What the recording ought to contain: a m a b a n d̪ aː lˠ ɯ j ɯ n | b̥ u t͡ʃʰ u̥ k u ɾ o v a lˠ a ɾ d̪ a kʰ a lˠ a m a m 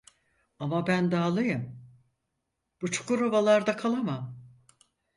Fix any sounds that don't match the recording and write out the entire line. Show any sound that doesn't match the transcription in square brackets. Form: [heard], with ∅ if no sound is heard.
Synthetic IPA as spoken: a m a b [æ] n d̪ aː lˠ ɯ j ɯ [m] | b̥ u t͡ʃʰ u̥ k u ɾ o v a lˠ a ɾ d̪ a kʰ a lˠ a m a m